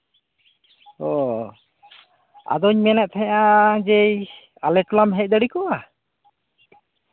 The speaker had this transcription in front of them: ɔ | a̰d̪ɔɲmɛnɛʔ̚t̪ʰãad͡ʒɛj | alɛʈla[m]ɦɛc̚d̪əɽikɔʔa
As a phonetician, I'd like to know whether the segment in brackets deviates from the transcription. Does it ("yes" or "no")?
no